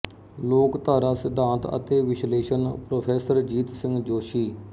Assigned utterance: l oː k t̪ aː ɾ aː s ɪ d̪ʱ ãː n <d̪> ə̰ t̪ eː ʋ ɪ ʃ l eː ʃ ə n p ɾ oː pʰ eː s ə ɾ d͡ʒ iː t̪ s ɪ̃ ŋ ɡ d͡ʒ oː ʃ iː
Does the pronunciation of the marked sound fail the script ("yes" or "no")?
yes